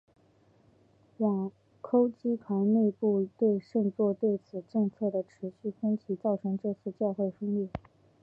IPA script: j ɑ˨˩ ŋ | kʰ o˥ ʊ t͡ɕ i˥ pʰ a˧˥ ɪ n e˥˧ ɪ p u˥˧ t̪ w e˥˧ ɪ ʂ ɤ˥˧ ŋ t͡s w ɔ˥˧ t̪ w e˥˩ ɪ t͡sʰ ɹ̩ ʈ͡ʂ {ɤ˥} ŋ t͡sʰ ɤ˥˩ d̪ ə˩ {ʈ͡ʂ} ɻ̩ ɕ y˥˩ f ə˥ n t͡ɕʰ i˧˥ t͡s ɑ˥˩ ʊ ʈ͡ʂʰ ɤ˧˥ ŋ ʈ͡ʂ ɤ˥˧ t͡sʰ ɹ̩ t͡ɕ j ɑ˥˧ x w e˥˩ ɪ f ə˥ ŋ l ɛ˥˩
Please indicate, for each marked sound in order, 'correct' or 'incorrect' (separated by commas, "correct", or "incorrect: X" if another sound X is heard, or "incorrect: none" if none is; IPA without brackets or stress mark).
incorrect: ɤ˥˧, incorrect: ʈ͡ʂʰ